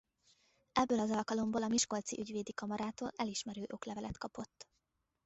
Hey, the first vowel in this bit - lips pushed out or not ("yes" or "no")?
no